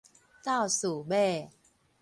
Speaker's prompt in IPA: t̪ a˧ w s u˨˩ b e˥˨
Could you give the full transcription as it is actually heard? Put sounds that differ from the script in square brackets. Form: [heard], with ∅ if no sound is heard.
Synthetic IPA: t̪ [a˥˨] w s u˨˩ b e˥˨